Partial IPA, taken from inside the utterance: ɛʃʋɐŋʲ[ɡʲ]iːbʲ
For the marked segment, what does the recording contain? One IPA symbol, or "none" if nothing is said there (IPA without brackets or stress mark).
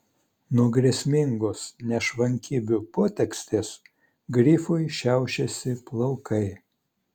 kʲ